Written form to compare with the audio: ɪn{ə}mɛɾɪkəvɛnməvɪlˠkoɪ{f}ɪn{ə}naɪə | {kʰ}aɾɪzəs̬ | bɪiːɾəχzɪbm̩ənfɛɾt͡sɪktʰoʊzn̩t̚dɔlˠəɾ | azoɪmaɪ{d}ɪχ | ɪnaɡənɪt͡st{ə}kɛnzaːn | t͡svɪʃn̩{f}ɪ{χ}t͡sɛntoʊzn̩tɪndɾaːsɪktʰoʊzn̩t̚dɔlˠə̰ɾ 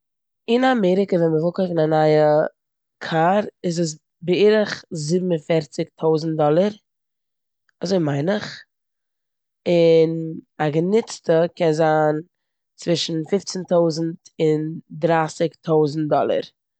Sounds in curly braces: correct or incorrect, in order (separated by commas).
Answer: incorrect, correct, incorrect, correct, incorrect, correct, correct, incorrect